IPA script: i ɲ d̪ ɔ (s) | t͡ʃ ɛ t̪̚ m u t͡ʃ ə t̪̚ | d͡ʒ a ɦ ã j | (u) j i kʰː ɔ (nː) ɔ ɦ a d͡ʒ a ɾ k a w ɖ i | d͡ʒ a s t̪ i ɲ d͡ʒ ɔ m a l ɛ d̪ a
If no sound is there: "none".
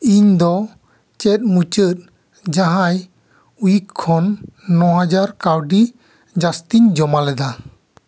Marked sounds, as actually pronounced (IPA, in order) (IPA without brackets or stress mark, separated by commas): none, u, nː